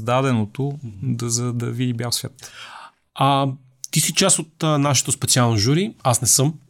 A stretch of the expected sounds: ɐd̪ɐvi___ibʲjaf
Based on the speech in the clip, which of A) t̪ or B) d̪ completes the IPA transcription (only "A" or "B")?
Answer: B